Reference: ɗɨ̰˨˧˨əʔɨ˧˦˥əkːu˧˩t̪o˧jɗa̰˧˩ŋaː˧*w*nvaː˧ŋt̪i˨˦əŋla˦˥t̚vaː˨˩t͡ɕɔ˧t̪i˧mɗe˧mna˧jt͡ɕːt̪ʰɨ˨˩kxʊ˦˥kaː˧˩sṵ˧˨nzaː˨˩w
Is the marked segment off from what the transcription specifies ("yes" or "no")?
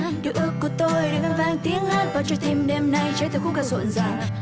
yes